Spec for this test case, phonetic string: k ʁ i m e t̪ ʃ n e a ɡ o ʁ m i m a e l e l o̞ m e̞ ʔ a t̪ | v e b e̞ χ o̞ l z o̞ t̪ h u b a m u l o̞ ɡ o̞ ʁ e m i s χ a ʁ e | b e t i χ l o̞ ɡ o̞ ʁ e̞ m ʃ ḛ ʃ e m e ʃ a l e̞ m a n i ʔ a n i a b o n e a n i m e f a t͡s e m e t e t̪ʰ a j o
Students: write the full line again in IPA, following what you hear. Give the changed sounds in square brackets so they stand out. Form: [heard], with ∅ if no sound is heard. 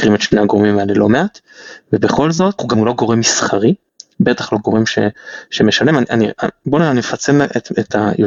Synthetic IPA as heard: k ʁ i m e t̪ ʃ n e a ɡ o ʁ m i m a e l e l o̞ m e̞ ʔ a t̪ | v e b e̞ χ o̞ l z o̞ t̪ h u [ɡ] a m u l o̞ ɡ o̞ ʁ e m i s χ a ʁ [i] | b e t [a] χ l o̞ ɡ o̞ ʁ e̞ m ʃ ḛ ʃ e m e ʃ a l e̞ m a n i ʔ a n i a b o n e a n i m e f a t͡s e m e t e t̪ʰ a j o